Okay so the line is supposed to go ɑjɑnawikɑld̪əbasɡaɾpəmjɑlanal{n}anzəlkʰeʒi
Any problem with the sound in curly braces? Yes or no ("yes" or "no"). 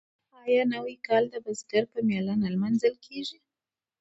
yes